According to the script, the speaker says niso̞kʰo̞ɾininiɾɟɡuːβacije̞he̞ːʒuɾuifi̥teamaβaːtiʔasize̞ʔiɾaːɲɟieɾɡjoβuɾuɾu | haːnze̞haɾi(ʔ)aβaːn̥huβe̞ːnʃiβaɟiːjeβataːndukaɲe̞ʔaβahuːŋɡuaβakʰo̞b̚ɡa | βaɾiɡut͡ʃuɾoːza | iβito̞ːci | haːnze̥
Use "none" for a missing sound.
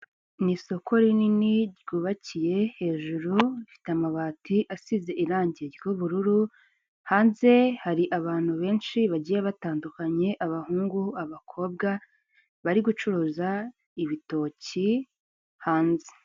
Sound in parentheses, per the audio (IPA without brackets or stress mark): ʔ